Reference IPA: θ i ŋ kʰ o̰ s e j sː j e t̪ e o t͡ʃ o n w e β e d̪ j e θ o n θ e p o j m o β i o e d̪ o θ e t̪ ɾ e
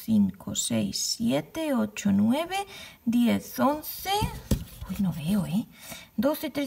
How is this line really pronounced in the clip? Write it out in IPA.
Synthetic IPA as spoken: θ i ŋ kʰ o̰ s e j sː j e t̪ e o t͡ʃ o n w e β e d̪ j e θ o n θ e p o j n o β e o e d̪ o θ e t̪ ɾ e

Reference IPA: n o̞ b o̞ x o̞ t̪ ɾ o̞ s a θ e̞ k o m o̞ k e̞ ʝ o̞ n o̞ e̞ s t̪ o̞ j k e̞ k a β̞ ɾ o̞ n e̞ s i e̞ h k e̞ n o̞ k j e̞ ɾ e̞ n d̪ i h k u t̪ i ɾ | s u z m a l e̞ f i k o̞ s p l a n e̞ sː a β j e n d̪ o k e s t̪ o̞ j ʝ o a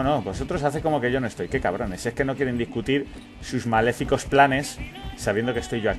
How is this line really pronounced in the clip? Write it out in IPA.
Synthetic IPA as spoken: n o̞ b o̞ s o̞ t̪ ɾ o̞ s a θ e̞ k o m o̞ k e̞ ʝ o̞ n o̞ e̞ s t̪ o̞ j k e̞ k a β̞ ɾ o̞ n e̞ s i e̞ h k e̞ n o̞ k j e̞ ɾ e̞ n d̪ i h k u t̪ i ɾ | s u z m a l e̞ f i k o̞ s p l a n e̞ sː a β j e n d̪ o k e s t̪ o̞ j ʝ o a

